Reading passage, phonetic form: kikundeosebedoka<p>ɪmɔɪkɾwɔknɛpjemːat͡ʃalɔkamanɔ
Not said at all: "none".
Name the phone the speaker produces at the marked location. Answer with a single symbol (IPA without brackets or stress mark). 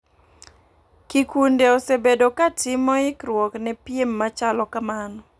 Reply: t